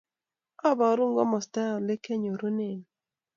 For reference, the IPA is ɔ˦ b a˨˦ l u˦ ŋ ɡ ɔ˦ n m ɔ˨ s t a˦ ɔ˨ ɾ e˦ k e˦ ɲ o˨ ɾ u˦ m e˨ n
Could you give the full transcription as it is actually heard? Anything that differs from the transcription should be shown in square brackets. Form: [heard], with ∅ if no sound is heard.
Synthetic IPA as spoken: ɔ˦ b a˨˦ [ɾ] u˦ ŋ ɡ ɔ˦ [∅] m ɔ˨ s t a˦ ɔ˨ [l] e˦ k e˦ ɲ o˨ ɾ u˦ [n] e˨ n